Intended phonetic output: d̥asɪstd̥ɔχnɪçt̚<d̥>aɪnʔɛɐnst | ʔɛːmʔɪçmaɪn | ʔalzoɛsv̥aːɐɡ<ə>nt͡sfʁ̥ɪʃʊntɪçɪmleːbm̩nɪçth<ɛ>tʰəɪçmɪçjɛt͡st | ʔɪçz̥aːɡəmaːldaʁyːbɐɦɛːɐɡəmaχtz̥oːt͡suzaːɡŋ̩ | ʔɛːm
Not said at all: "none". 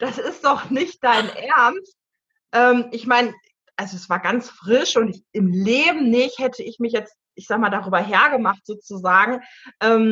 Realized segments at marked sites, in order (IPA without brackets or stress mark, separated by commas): d̥, a, ɛ